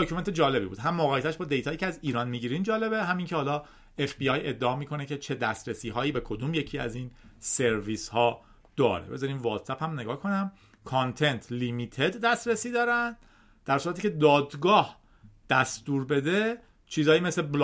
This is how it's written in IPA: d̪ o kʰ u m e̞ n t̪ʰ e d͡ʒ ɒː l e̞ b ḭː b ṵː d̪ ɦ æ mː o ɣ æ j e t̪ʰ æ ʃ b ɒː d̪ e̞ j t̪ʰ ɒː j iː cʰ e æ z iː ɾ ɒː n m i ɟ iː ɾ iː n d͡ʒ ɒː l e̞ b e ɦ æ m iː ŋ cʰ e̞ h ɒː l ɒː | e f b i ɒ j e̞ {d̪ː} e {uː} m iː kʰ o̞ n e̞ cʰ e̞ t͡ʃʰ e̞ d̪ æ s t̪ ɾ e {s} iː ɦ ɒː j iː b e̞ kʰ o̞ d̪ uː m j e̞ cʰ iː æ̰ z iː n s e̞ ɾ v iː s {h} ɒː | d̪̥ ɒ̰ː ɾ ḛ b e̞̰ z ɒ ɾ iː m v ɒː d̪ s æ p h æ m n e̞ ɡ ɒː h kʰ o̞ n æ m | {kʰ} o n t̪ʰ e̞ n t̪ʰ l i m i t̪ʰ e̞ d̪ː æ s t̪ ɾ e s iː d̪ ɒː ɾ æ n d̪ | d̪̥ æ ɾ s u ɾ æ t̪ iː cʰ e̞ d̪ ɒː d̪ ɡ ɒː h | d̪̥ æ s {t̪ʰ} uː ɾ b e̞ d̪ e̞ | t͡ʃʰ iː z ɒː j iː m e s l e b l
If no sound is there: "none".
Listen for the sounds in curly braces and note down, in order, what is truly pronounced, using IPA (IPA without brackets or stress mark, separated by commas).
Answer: d̪ː, ɒː, s, h, kʰ, t̪